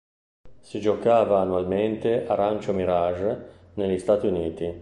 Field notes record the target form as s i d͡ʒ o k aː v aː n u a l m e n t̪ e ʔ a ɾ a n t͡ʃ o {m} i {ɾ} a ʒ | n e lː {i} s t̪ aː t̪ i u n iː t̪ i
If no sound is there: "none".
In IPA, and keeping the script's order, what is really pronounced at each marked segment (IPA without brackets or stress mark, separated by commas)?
m, ɾ, i